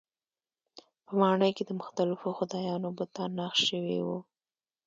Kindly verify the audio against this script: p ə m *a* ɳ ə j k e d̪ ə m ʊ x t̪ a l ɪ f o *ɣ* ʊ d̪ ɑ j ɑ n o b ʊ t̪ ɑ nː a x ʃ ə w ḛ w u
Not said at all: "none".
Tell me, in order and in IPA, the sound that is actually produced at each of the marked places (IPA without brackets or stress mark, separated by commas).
ɑ, x